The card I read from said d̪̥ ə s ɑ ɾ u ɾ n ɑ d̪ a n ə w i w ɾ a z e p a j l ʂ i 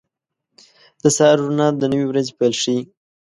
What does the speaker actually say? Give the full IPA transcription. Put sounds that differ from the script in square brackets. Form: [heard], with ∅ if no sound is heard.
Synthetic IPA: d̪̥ ə s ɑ ɾ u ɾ n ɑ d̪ [ə] n ə w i w ɾ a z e p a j l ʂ i